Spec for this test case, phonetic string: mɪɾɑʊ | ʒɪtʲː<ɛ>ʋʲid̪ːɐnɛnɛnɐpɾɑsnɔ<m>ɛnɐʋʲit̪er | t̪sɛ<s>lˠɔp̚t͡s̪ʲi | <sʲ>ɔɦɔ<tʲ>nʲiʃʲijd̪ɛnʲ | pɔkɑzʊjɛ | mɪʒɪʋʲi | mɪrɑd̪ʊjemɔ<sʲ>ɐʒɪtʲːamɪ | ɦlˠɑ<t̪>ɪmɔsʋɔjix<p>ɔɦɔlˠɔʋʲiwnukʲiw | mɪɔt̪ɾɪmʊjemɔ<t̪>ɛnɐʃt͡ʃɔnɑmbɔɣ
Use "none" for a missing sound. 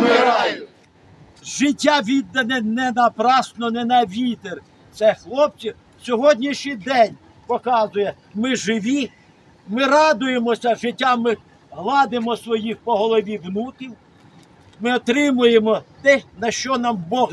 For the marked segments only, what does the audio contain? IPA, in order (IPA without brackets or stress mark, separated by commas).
a, n, x, sʲ, dʲ, sʲ, d̪, p, t̪